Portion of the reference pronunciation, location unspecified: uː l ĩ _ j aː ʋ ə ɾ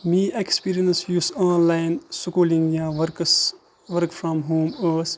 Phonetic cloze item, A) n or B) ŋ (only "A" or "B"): B